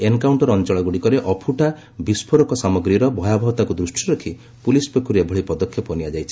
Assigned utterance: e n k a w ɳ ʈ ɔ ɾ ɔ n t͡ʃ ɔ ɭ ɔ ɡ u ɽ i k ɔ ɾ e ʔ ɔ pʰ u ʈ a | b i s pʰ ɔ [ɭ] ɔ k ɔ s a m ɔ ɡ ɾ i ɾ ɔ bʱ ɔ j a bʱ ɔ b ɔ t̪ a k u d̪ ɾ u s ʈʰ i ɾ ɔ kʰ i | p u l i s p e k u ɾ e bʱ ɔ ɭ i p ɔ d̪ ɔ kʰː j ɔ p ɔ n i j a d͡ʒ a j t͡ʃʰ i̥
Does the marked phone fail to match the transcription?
yes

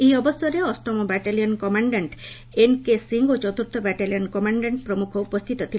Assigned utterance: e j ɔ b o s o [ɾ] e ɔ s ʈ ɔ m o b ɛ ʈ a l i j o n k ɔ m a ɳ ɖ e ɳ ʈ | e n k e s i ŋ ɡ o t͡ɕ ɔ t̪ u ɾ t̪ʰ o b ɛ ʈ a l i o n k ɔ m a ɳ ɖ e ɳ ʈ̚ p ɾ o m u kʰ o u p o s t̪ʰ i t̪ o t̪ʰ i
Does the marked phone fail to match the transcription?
no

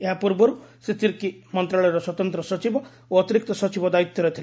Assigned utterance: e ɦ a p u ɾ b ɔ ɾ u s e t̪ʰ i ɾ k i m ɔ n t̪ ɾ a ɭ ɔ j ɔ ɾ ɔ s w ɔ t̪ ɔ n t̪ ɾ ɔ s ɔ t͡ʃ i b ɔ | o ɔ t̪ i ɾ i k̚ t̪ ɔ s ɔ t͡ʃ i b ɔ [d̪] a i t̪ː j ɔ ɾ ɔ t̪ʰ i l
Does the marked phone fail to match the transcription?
no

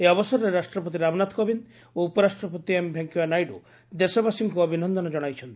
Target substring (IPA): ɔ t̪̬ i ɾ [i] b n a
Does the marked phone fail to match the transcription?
yes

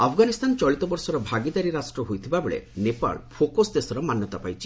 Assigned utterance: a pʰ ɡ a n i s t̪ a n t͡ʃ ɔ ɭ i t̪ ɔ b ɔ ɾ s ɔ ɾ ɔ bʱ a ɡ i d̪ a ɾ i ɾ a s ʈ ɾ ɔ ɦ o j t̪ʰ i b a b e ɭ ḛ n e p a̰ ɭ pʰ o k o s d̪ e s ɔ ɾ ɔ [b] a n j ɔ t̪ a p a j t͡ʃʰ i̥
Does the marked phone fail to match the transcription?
yes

